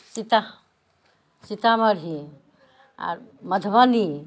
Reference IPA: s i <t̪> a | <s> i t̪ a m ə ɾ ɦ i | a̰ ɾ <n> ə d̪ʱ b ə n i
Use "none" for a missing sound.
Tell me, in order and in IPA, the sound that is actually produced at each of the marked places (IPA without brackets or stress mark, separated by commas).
t̪, s, m